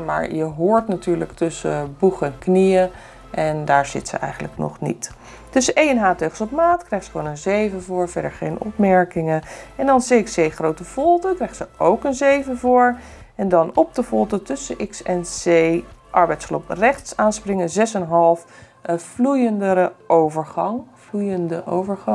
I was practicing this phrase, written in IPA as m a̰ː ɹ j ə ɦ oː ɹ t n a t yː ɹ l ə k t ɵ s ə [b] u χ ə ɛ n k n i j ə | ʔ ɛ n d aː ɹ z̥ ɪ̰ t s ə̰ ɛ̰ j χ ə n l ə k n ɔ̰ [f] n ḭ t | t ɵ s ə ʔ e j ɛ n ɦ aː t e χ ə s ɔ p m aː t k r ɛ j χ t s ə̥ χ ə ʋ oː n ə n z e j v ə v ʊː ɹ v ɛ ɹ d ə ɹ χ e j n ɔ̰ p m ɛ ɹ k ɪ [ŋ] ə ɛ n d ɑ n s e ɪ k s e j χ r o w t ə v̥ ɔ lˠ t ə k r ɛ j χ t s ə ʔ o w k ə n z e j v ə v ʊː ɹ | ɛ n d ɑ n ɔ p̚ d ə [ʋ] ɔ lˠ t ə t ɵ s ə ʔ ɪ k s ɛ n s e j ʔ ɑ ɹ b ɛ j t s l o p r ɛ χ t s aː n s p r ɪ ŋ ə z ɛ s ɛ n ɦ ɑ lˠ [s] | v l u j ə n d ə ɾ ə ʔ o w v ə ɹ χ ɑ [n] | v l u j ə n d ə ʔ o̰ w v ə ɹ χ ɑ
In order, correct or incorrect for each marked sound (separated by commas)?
correct, incorrect, correct, incorrect, incorrect, incorrect